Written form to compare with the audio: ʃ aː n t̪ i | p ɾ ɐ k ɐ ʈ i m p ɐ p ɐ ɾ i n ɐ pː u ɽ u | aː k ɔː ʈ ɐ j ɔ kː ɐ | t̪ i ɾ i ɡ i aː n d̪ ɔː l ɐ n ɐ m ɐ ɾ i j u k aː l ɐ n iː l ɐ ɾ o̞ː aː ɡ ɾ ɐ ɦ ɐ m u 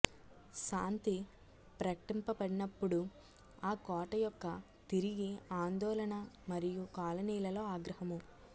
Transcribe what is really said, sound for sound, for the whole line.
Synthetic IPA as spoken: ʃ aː n t̪ i | p ɾ ɐ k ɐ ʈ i m p ɐ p ɐ ɽ i n ɐ pː u ɽ u | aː k ɔː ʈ ɐ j ɔ kː ɐ | t̪ i ɾ i ɡ i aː n d̪ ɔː l ɐ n ɐ m ɐ ɾ i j u k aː l ɐ n iː l ɐ l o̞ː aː ɡ ɾ ɐ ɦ ɐ m u